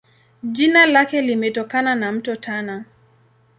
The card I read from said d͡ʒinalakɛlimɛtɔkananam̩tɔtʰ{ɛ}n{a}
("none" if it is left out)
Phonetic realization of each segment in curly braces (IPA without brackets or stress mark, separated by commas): a, a